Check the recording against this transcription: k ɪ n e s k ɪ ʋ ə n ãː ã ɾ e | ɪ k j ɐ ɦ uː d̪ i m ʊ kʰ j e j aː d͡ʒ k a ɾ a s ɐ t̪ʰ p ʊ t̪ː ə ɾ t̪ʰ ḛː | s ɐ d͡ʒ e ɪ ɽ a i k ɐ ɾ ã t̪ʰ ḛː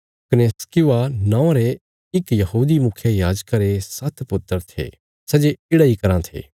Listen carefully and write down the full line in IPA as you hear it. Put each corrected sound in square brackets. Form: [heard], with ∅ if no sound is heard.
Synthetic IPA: k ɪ n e s k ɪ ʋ [a] n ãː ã ɾ e | ɪ k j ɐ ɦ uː d̪ i m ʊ kʰ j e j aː d͡ʒ k a ɾ [e] s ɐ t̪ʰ p ʊ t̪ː ə ɾ t̪ʰ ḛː | s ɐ d͡ʒ e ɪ ɽ a i k ɐ ɾ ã t̪ʰ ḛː

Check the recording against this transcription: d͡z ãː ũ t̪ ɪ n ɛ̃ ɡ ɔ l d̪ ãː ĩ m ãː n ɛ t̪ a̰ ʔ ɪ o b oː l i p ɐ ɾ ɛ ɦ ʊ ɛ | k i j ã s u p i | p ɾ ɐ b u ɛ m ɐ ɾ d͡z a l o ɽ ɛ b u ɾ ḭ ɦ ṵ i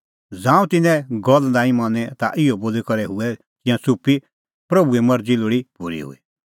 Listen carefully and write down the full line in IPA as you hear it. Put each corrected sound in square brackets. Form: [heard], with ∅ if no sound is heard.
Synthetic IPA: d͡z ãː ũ t̪ ɪ n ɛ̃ ɡ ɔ l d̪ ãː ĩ m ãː n ɛ t̪ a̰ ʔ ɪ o b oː l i [k] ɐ ɾ ɛ ɦ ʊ ɛ | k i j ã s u p i | p ɾ ɐ b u ɛ m ɐ ɾ d͡z [i] l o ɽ [i] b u ɾ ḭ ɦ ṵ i

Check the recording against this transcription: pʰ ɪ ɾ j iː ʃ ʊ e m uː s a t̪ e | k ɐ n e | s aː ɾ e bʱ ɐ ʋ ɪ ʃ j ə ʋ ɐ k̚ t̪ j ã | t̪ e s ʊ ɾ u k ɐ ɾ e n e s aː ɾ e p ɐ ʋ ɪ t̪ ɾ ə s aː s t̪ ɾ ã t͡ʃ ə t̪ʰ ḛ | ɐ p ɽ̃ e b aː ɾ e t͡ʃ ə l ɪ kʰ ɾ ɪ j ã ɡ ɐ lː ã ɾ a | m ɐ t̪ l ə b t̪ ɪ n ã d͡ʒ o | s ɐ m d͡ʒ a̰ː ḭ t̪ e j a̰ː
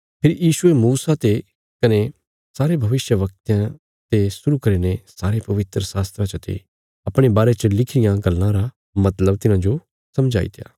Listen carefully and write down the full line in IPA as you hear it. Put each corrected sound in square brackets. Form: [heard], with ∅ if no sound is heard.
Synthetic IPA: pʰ ɪ ɾ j iː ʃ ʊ e m uː s a t̪ e | k ɐ n e | s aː ɾ e bʱ ɐ ʋ ɪ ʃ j ə ʋ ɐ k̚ t̪ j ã | t̪ e s ʊ ɾ u k ɐ ɾ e n e s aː ɾ e p ɐ ʋ ɪ t̪ ɾ ə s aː s t̪ ɾ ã t͡ʃ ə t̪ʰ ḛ | ɐ p ɽ̃ e b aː ɾ e t͡ʃ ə l ɪ kʰ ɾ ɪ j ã ɡ ɐ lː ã ɾ a | m ɐ t̪ l ə b t̪ ɪ n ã d͡ʒ o | s ɐ m d͡ʒ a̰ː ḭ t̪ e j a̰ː

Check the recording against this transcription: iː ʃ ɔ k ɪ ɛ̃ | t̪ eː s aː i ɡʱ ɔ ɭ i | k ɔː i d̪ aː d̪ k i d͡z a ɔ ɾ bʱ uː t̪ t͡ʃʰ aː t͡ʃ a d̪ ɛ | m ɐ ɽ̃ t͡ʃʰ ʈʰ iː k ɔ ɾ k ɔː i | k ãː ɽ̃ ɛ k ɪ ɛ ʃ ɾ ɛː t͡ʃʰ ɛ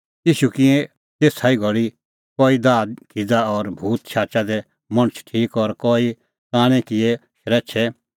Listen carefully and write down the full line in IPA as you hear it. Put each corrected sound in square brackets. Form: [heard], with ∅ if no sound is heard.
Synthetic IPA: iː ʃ [u] k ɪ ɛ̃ | t̪ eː s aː i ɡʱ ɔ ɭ i | k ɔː i d̪ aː d̪ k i d͡z a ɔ ɾ bʱ uː t̪ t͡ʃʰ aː t͡ʃ a d̪ ɛ | m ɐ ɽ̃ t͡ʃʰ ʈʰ iː k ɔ ɾ k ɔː i | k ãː ɽ̃ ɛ k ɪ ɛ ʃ ɾ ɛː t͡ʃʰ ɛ

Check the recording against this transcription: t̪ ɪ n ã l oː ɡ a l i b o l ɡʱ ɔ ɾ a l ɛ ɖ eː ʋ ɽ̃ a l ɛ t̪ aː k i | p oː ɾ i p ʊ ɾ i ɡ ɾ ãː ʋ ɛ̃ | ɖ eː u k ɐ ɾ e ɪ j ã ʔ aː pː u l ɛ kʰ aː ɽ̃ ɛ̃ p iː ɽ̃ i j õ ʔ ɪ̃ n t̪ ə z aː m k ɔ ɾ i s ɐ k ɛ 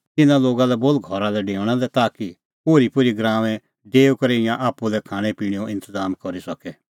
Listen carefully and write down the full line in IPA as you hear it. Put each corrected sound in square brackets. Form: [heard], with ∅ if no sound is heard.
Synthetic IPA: t̪ ɪ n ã l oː ɡ a l [ɛ] b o l ɡʱ ɔ ɾ a l ɛ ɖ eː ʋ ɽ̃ a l ɛ t̪ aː k i | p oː ɾ i p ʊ ɾ i ɡ ɾ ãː ʋ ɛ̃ | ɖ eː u k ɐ ɾ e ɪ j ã ʔ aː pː u l ɛ kʰ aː ɽ̃ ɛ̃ p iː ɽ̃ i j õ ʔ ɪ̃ n t̪ ə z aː m k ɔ ɾ i s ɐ k ɛ

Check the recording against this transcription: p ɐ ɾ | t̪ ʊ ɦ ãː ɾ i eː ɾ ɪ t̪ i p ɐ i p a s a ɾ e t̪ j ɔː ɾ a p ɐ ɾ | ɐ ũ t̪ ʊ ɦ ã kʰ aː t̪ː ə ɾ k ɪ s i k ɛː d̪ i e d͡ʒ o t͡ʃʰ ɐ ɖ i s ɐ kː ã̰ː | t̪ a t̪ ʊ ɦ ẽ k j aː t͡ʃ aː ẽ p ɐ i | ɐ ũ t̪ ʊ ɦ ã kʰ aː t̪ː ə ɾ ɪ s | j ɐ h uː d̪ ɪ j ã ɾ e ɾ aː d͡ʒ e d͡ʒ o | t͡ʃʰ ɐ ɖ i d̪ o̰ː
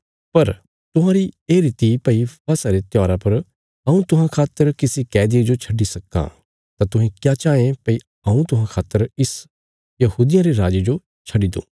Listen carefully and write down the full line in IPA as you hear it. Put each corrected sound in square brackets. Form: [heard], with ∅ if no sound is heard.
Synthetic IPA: p ɐ ɾ | t̪ ʊ ɦ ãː ɾ i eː ɾ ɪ t̪ i p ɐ i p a s a ɾ e t̪ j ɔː ɾ a p ɐ ɾ | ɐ ũ t̪ ʊ ɦ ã kʰ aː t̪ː ə ɾ k ɪ s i k ɛː d̪ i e d͡ʒ o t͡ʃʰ ɐ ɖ i s ɐ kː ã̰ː | t̪ a t̪ ʊ ɦ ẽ k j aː t͡ʃ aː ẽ p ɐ i | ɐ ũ t̪ ʊ ɦ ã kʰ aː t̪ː ə ɾ ɪ s | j ɐ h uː d̪ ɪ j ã ɾ e ɾ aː d͡ʒ e d͡ʒ o | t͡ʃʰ ɐ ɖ i d̪ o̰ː

